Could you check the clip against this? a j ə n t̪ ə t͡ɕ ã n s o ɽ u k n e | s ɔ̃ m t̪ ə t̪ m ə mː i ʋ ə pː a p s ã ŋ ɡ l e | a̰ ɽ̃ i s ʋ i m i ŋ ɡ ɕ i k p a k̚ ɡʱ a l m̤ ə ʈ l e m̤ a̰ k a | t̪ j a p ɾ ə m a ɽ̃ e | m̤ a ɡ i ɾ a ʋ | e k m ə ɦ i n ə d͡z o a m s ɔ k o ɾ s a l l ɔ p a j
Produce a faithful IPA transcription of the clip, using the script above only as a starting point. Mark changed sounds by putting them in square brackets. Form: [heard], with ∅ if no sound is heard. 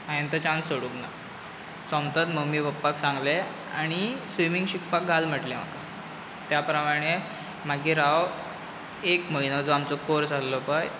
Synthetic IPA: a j ə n t̪ ə t͡ɕ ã n s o ɽ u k n [a] | s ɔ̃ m t̪ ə t̪ m ə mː i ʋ ə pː a [k] s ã ŋ ɡ l e | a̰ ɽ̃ i s ʋ i m i ŋ ɡ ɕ i k p a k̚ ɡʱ a l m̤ ə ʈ l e m̤ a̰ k a | t̪ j a p ɾ ə m a ɽ̃ e | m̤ a ɡ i ɾ a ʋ | e k m ə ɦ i n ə d͡z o a m [t͡s] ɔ k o ɾ s a l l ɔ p a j